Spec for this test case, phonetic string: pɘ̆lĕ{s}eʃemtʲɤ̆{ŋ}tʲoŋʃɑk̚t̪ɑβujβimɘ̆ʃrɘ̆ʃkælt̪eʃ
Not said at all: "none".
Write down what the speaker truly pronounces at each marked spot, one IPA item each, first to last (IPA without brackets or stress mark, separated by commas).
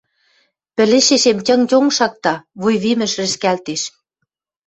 ʃ, ŋ